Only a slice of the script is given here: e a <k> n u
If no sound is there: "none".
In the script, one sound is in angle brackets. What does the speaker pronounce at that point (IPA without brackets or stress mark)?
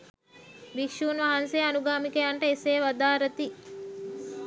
none